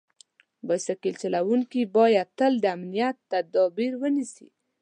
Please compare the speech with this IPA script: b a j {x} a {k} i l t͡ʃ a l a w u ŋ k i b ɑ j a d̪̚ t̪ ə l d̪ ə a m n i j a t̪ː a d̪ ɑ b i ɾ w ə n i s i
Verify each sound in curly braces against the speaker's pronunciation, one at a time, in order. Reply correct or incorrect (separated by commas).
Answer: incorrect, correct